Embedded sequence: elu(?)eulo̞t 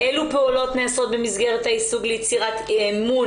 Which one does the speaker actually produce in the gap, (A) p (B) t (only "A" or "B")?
A